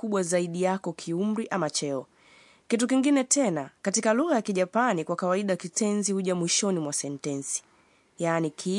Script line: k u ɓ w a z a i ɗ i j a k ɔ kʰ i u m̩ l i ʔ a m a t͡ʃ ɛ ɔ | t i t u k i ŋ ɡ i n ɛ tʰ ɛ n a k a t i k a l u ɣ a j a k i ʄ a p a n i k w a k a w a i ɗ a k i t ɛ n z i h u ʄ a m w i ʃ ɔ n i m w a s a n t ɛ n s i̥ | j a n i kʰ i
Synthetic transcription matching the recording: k u ɓ w a z a i ɗ i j a k ɔ kʰ i u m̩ ɾ i ʔ a m a t͡ʃ ɛ ɔ | k i t u k i ŋ ɡ i n ɛ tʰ ɛ n a k a t i k a l u ɣ a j a k i ʄ a p a n i k w a k a w a i ɗ a k i t ɛ n z i h u ʄ a m w i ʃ ɔ n i m w a s ɛ n t ɛ n s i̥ | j a n i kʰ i